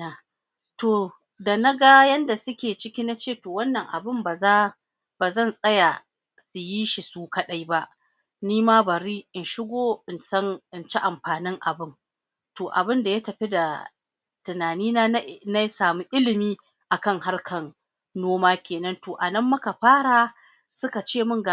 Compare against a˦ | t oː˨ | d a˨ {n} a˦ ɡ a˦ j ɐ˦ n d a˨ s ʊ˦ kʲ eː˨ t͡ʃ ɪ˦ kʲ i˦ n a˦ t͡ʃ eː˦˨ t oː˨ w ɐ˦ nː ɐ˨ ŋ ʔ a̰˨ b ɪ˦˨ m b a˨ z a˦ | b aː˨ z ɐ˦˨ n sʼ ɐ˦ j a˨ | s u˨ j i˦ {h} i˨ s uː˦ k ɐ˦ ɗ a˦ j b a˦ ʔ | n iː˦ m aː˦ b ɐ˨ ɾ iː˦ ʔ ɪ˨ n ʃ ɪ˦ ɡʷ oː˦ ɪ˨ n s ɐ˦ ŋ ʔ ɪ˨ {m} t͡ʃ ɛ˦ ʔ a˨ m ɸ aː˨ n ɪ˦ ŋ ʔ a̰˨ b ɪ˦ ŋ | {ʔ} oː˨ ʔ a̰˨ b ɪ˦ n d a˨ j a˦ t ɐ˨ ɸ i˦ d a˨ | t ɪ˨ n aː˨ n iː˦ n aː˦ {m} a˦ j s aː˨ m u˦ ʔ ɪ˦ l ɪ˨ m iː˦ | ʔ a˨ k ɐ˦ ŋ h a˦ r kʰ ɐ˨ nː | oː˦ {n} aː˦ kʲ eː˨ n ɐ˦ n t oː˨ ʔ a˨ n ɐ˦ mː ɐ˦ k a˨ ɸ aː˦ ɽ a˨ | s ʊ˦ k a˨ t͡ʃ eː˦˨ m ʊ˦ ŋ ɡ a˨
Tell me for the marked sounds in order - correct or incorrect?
correct, incorrect: ʃ, incorrect: n, incorrect: t, incorrect: n, incorrect: m

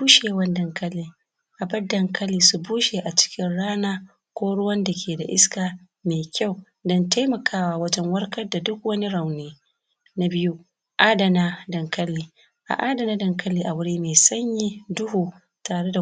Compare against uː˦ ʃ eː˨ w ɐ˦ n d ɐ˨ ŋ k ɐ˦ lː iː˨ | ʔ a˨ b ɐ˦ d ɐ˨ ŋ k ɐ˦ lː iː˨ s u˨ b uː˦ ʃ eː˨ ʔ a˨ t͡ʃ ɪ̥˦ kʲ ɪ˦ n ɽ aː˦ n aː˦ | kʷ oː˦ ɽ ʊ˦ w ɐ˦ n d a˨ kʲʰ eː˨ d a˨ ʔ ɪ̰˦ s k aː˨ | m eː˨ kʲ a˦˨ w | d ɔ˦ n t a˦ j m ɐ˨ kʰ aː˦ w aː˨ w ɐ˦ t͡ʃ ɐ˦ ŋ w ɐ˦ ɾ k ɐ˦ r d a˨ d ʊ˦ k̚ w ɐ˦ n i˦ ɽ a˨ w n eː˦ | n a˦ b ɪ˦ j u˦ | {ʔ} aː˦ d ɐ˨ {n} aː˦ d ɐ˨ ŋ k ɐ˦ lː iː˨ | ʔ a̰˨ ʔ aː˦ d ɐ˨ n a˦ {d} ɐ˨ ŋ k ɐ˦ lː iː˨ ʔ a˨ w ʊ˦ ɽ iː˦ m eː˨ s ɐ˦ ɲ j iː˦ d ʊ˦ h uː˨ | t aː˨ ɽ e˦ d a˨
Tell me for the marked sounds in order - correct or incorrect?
correct, correct, correct

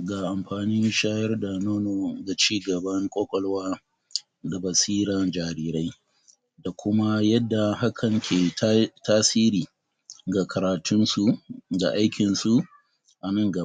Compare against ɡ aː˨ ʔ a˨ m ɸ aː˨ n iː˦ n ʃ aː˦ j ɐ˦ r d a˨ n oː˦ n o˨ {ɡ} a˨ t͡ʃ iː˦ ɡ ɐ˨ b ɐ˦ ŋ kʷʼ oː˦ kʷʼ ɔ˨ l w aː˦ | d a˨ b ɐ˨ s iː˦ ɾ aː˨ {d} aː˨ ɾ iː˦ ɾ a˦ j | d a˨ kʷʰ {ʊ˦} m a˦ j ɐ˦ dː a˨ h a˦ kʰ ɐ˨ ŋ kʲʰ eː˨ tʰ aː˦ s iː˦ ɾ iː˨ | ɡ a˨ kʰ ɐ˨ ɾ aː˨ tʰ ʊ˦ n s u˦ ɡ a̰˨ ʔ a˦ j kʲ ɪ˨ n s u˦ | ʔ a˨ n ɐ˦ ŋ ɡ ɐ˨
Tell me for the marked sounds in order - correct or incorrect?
correct, incorrect: d͡ʒ, correct

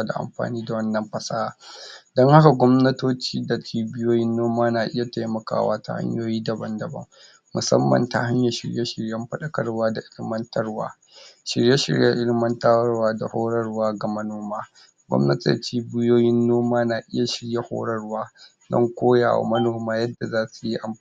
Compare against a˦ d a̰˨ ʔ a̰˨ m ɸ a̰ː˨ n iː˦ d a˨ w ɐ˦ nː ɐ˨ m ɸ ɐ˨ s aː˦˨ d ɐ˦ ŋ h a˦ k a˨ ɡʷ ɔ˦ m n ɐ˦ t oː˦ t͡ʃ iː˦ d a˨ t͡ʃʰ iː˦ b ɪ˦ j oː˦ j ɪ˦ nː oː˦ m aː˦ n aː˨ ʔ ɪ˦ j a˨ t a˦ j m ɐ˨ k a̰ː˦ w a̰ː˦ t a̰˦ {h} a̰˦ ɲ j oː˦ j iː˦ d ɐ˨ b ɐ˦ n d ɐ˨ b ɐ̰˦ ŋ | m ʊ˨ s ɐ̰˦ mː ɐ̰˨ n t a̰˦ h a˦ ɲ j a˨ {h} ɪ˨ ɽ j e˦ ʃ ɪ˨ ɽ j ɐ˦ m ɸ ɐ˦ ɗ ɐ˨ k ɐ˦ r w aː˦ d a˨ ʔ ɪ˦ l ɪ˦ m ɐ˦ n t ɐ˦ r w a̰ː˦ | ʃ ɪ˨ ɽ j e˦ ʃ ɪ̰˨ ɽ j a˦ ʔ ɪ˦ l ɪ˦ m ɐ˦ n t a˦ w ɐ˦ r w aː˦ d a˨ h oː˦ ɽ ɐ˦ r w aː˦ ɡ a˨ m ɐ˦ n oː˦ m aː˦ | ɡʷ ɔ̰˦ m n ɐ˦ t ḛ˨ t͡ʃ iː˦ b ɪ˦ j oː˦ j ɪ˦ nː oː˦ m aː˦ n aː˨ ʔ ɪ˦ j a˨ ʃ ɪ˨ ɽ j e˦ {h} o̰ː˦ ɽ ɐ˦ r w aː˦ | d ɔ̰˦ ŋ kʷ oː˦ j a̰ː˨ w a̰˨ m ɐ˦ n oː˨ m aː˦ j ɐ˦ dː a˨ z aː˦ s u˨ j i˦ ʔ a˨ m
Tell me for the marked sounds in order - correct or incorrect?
correct, incorrect: ʃ, correct

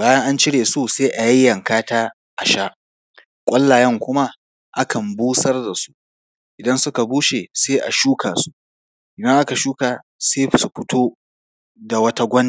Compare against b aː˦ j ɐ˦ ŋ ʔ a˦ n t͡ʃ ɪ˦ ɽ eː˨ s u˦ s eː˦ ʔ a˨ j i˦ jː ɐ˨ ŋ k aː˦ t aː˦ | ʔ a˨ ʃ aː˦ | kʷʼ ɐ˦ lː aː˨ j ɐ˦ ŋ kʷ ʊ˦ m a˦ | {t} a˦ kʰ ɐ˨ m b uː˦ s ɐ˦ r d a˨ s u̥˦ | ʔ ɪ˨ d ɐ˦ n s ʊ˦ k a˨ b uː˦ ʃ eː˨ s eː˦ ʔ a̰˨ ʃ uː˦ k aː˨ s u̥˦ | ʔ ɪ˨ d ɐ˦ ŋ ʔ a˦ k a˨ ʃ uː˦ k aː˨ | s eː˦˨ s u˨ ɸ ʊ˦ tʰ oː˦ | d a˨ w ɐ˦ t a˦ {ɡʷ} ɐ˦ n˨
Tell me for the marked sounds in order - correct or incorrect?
incorrect: ʔ, correct

